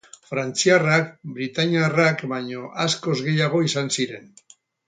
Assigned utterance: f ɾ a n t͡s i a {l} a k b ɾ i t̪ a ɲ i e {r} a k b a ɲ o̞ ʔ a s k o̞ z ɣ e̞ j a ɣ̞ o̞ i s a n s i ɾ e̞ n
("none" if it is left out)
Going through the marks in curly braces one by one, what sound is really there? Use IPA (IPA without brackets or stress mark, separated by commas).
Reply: r, r